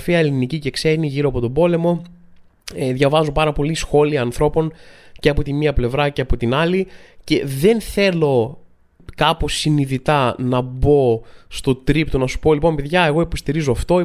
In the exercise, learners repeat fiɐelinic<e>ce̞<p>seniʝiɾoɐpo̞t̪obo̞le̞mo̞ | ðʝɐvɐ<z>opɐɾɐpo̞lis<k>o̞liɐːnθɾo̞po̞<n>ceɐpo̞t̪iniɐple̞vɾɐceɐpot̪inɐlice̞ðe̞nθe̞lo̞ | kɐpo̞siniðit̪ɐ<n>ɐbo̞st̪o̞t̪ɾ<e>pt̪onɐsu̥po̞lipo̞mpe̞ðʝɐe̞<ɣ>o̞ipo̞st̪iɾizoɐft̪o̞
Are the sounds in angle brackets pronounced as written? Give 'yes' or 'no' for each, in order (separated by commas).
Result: no, no, yes, no, yes, yes, no, yes